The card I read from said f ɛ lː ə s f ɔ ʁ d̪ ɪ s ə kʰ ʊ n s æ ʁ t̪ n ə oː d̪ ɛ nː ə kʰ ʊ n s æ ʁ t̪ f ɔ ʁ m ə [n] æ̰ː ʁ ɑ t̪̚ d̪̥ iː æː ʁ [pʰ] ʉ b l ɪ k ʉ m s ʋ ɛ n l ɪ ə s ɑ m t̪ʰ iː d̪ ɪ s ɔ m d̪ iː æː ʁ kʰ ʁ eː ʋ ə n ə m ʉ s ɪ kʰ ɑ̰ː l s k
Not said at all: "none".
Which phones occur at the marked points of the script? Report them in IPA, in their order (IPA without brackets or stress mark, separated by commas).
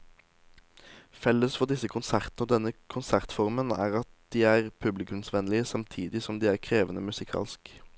n, pʰ